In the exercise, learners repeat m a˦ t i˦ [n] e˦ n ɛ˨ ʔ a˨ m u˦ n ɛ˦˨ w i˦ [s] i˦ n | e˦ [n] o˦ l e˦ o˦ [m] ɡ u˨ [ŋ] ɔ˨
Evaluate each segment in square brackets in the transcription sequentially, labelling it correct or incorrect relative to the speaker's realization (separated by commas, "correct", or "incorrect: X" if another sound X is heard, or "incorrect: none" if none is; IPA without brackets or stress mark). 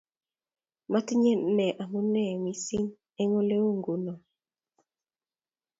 incorrect: ɲ, correct, incorrect: ŋ, incorrect: ŋ, incorrect: n